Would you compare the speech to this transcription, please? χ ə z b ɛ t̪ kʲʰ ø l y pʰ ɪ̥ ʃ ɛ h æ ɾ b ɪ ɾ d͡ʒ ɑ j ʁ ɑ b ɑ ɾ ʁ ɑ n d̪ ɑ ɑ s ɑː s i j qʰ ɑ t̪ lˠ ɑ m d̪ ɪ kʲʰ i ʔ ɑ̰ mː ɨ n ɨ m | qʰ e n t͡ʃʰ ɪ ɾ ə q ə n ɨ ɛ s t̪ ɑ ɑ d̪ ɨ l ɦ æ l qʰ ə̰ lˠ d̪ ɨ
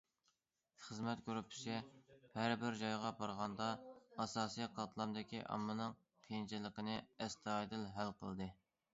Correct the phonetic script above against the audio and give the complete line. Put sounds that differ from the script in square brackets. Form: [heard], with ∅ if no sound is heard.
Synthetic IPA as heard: χ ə z [m] ɛ t̪ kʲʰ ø [ɾ] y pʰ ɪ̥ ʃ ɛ h æ ɾ b ɪ ɾ d͡ʒ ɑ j ʁ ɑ b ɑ ɾ ʁ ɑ n d̪ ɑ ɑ s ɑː s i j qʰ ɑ t̪ lˠ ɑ m d̪ ɪ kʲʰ i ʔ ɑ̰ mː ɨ n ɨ [ŋ] | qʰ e n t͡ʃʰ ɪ [l] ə q ə n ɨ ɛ s t̪ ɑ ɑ d̪ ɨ l ɦ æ l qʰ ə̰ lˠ d̪ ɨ